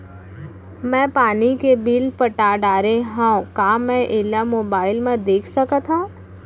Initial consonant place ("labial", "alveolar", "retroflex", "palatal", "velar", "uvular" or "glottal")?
labial